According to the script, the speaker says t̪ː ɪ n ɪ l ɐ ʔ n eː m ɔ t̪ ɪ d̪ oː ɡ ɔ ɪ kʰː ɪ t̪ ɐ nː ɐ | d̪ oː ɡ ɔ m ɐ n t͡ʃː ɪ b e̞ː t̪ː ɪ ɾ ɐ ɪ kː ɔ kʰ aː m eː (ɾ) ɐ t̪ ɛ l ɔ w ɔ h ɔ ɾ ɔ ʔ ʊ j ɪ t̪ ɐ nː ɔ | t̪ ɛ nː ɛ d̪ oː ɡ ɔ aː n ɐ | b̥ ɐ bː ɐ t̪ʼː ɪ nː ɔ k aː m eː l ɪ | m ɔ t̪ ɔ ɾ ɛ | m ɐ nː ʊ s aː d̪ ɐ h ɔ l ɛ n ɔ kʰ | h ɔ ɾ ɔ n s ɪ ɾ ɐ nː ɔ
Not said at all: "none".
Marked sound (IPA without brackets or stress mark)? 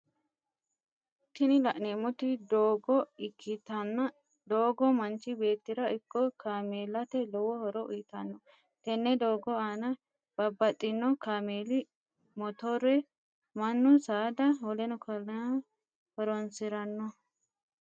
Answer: l